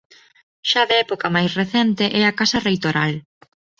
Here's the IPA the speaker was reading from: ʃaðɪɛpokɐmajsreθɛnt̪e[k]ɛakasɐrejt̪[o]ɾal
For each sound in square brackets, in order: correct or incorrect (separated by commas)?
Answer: incorrect, correct